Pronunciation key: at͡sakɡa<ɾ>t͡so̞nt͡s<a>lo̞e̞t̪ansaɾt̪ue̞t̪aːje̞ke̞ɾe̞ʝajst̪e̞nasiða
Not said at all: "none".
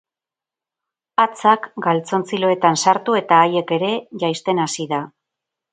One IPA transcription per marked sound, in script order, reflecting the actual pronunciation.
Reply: l, i

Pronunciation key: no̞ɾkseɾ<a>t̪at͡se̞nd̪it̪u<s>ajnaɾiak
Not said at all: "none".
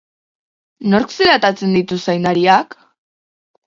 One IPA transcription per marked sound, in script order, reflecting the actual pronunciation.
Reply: a, s

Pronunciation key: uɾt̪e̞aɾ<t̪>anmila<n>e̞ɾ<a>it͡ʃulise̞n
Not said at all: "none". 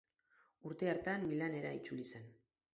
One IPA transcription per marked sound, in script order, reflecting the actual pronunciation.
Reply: t̪, n, a

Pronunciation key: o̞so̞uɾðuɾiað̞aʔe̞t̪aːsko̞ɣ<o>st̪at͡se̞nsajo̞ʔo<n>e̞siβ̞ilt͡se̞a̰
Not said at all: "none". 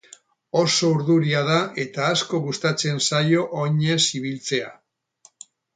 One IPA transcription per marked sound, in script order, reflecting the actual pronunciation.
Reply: u, ɲ

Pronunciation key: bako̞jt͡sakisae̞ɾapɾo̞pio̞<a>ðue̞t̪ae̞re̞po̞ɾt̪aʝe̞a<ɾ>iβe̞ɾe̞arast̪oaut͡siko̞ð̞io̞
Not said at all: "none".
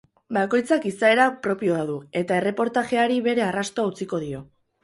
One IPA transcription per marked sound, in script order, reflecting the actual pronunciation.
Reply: a, ɾ

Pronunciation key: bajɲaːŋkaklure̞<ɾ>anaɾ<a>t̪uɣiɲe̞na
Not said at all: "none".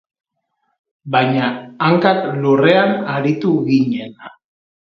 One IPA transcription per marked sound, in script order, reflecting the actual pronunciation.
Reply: none, i

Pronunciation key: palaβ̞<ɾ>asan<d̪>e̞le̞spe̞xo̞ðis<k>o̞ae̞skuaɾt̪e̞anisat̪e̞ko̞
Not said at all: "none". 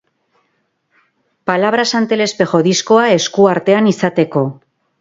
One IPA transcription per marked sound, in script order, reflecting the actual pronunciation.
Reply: ɾ, t̪, k

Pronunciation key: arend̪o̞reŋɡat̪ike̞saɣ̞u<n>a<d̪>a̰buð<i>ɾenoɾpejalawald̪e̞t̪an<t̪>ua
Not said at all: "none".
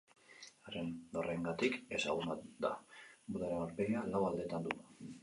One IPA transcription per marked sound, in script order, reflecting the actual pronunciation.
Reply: n, d̪, a, d̪

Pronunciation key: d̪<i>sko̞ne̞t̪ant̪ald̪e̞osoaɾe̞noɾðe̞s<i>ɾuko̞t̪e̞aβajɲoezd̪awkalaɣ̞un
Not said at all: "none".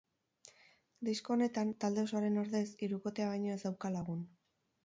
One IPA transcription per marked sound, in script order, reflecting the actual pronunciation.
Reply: i, i

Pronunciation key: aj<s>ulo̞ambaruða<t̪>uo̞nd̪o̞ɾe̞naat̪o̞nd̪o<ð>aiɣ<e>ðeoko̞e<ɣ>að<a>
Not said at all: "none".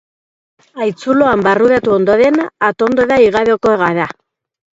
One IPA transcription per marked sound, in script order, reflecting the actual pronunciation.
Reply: t͡s, t̪, ð, a, ɣ, a

